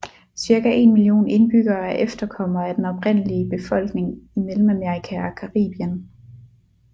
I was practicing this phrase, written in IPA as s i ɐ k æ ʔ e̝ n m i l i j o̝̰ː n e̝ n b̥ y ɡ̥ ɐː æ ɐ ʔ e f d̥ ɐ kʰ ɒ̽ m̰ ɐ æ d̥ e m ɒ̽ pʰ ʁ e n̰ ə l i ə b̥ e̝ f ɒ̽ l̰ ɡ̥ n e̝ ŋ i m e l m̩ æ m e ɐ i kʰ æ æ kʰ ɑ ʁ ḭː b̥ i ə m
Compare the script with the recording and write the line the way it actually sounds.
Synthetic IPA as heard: s i ɐ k æ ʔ e̝ n m i l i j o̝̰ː n e̝ n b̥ y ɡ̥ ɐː æ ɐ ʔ e f d̥ ɐ kʰ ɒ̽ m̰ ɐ æ d̥ e n ɒ̽ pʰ ʁ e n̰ ə l i ə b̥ e̝ f ɒ̽ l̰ ɡ̥ n e̝ ŋ i m e l m̩ æ m e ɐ i kʰ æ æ kʰ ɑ ʁ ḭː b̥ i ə n

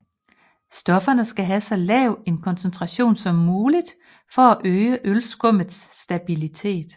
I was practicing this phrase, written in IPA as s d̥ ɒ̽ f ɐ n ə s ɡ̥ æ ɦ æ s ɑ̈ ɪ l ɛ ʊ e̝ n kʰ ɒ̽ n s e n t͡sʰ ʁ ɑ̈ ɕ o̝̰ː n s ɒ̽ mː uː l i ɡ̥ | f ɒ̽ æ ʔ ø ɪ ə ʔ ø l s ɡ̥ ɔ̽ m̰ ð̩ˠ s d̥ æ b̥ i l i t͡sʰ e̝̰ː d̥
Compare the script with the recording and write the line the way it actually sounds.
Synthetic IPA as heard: s d̥ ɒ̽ f ɐ n ə s ɡ̥ æ ɦ æ s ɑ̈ ɪ l ɛ ʊ e̝ n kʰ ɒ̽ n s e n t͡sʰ ʁ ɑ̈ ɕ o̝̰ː n s ɒ̽ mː uː l i d̥ | f ɒ̽ æ ʔ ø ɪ ə ʔ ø l s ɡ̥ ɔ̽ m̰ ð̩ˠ s d̥ æ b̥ i l i t͡sʰ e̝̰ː d̥

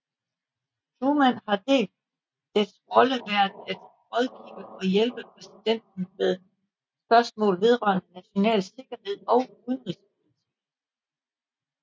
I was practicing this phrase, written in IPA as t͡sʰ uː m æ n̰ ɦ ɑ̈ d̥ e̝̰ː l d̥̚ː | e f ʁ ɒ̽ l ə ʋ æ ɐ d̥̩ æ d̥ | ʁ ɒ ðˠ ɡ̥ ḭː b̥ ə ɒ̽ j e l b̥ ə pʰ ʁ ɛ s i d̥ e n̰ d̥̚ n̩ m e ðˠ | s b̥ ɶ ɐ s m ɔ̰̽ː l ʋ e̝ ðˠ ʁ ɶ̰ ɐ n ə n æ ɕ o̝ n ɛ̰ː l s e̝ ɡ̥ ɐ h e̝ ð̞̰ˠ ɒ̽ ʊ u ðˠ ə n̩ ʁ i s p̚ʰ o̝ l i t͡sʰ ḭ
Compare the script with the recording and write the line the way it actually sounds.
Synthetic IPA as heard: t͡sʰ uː m æ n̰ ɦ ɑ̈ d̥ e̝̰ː l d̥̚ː | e s ʁ ɒ̽ l ə ʋ æ ɐ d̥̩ æ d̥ | ʁ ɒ ðˠ ɡ̥ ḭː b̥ ə ɒ̽ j e l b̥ ə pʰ ʁ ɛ s i d̥ e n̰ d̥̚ n̩ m e ðˠ | s b̥ ɶ ɐ s m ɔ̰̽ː l ʋ e̝ ðˠ ʁ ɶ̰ ɐ n ə n æ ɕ o̝ n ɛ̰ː l s e̝ ɡ̥ ɐ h e̝ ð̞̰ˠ ɒ̽ ʊ u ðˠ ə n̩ ʁ i s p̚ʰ o̝ l i t͡sʰ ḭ

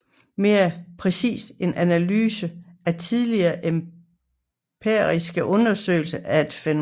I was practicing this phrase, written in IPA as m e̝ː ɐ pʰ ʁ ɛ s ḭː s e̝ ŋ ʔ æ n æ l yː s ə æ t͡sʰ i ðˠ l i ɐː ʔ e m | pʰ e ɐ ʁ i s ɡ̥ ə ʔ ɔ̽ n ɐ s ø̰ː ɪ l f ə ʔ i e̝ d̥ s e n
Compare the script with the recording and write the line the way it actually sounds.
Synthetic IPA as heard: m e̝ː ɐ pʰ ʁ ɛ s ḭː s e̝ n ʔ æ n æ l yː s ə æ t͡sʰ i ðˠ l i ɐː ʔ e m | pʰ e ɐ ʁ i s ɡ̥ ə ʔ ɔ̽ n ɐ s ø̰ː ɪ l s ə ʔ æ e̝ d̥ f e n

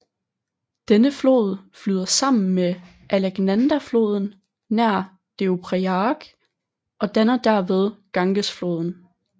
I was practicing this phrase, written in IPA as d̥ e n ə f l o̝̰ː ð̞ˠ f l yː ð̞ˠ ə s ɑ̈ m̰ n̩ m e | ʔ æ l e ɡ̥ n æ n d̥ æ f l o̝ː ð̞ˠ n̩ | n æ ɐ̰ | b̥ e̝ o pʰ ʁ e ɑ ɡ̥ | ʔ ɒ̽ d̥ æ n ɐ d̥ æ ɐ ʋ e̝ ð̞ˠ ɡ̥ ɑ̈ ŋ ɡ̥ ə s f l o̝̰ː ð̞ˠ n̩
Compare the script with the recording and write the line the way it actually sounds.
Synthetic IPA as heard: d̥ e n ə f l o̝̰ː ð̞ˠ f l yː ð̞ˠ ɐ s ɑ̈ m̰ n̩ m e | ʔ æ l e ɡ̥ n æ n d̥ æ f l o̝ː ð̞ˠ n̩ | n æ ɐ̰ | d̥ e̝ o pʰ ʁ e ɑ ɡ̥ | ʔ ɒ̽ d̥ æ n ɐ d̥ æ ɐ ʋ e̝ ð̞ˠ ɡ̥ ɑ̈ ŋ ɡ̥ ə s f l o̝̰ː ð̞ˠ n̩

